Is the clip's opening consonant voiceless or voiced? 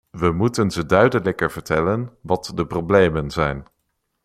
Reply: voiced